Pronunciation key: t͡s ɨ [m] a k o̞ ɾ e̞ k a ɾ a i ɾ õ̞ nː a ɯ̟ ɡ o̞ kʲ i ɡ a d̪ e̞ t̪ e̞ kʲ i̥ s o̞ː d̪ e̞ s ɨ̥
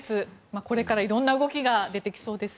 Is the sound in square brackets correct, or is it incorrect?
correct